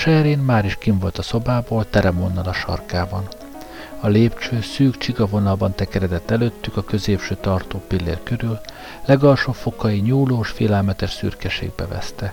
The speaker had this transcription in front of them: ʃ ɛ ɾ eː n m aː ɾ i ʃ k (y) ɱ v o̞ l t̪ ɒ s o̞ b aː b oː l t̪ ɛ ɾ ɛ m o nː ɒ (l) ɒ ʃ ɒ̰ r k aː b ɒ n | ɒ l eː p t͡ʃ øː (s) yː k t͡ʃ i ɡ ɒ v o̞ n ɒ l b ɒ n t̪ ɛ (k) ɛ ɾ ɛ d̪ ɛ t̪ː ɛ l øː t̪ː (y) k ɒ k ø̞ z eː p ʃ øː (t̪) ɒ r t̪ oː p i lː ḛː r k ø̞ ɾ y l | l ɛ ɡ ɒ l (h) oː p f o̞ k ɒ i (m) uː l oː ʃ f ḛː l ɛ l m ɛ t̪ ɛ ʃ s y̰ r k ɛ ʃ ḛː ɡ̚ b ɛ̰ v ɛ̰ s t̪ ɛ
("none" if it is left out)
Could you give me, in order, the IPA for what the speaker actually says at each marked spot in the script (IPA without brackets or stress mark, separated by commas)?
i, l, s, k, y, t̪, ʃ, ɲ